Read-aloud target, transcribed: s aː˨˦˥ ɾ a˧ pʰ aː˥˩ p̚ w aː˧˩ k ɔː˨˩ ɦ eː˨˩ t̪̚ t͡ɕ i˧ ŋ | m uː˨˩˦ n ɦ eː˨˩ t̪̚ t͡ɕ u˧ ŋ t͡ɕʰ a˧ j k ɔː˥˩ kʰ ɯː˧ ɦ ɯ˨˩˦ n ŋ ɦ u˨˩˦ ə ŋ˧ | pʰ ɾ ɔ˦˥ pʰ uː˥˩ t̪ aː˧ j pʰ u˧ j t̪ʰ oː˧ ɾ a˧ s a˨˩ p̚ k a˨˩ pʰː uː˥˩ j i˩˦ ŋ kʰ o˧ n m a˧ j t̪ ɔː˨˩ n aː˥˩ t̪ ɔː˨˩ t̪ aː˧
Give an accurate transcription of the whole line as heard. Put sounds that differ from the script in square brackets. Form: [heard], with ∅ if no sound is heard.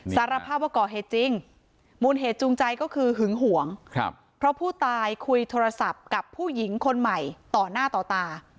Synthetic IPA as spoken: s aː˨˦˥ ɾ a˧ pʰ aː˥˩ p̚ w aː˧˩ k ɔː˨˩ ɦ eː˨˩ t̪̚ t͡ɕ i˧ ŋ | m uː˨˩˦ n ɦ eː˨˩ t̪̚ t͡ɕ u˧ ŋ [t͡ɕ] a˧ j k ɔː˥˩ kʰ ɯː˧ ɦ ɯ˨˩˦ [∅] ŋ ɦ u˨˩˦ ə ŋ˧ | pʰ ɾ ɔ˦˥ pʰ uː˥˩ t̪ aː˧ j [kʰ] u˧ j t̪ʰ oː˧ ɾ a˧ s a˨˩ p̚ k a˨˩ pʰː uː˥˩ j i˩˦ ŋ kʰ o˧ n m [a˨˩] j t̪ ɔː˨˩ n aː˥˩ t̪ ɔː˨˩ t̪ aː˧